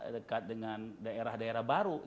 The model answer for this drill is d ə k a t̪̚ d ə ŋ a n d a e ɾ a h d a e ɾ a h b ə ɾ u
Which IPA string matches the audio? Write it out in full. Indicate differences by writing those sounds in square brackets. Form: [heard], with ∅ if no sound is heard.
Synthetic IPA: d ə k a t̪̚ d ə ŋ a n d a e ɾ a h d a e ɾ a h b [a] ɾ u